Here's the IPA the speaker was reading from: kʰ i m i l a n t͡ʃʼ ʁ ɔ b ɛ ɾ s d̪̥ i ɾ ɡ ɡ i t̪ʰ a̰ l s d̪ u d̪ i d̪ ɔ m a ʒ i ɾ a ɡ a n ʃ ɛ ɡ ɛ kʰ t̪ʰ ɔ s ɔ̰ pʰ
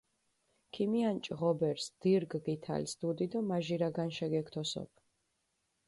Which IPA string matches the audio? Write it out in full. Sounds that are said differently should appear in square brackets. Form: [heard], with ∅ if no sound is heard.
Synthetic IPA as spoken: kʰ i m i [∅] a n t͡ʃʼ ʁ ɔ b ɛ ɾ s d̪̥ i ɾ ɡ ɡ i t̪ʰ a̰ l s d̪ u d̪ i d̪ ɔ m a ʒ i ɾ a ɡ a n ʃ ɛ ɡ ɛ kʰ t̪ʰ ɔ s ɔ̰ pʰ